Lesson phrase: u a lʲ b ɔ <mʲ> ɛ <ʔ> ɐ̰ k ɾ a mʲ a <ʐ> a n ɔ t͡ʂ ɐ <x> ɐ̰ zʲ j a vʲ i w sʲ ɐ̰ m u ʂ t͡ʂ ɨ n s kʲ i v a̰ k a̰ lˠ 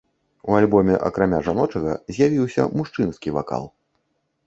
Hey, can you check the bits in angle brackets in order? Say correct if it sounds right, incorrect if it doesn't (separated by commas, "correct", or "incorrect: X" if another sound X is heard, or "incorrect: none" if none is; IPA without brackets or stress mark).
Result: correct, correct, correct, incorrect: ɣ